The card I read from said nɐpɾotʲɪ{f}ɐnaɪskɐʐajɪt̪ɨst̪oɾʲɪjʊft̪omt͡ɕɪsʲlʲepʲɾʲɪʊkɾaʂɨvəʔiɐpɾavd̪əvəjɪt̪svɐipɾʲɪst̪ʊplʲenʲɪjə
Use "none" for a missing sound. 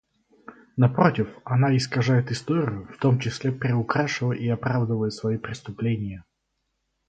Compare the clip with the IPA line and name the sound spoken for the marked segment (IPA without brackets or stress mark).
f